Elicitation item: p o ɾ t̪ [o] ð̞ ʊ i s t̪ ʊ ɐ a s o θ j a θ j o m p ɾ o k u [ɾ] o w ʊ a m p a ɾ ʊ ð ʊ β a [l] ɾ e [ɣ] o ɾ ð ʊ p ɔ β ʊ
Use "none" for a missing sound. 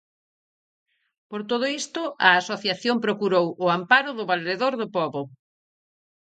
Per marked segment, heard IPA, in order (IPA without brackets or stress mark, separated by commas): o, ɾ, l, ð